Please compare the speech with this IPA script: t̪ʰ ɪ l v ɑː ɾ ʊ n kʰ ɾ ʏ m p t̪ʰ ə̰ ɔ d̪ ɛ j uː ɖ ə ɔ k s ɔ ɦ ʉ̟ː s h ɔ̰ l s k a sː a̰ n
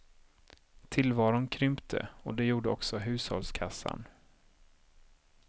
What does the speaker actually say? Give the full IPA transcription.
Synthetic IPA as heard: t̪ʰ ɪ l v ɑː ɾ ʊ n kʰ ɾ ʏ m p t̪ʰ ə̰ ɔ d̪ ɛ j uː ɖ ə ɔ k s ɔ ɦ ʉ̟ː s h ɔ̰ l s kʰ a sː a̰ n